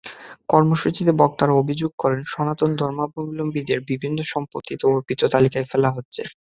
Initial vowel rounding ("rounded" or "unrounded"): rounded